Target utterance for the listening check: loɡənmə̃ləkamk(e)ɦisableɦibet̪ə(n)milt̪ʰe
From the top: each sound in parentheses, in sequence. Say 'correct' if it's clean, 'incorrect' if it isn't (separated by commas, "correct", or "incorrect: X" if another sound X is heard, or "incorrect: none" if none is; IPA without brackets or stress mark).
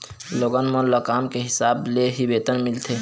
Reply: correct, correct